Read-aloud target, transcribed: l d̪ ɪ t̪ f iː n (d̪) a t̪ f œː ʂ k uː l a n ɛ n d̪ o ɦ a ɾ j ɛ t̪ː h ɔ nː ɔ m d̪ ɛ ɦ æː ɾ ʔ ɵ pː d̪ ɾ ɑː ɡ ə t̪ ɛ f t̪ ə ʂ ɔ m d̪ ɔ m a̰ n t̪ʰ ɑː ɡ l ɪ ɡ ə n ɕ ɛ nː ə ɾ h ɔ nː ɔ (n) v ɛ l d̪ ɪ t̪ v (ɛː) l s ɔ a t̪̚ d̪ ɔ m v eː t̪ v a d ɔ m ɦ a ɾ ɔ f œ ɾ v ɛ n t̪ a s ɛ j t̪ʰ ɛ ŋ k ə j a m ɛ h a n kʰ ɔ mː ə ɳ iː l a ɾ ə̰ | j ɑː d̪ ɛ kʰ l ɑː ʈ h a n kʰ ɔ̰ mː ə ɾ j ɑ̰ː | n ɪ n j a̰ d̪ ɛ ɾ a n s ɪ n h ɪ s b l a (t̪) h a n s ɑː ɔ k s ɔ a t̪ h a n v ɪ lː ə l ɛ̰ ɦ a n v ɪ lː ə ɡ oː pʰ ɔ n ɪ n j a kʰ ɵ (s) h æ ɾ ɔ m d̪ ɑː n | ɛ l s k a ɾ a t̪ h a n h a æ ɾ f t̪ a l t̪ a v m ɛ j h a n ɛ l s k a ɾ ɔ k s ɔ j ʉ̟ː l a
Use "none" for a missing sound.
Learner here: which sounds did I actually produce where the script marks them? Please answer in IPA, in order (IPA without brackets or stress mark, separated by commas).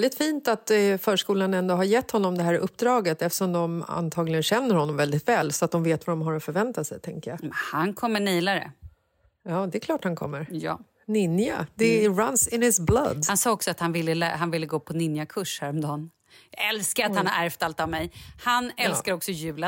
t̪, m, ɛː, d̪, ʂ